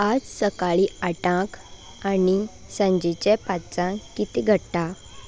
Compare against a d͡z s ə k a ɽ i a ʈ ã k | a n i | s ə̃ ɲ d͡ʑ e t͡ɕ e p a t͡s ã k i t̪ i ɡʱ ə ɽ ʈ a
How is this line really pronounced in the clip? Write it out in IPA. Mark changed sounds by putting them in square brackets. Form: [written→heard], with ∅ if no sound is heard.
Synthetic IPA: a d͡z s ə k a [ɽ→ɭ] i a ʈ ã k | a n i | s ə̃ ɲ d͡ʑ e t͡ɕ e p a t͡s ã k i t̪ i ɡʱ ə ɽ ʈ a